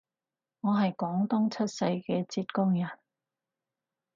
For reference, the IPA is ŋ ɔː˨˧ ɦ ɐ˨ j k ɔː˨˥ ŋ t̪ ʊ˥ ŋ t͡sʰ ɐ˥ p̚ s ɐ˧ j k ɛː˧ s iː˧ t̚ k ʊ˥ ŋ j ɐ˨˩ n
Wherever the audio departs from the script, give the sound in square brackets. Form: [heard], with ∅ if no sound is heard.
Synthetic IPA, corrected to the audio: ŋ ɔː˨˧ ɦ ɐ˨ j k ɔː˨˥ ŋ t̪ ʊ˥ ŋ t͡sʰ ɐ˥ [t̚] s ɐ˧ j k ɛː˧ [t͡s] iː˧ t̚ k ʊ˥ ŋ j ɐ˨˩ n